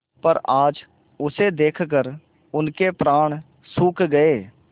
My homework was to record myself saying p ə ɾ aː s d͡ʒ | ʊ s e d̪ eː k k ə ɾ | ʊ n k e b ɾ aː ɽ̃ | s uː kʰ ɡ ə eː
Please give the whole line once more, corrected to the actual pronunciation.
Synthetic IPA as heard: p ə ɾ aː d͡ʒ | ʊ s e d̪ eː kʰ k ə ɾ | ʊ n k e p ɾ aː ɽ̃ | s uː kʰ ɡ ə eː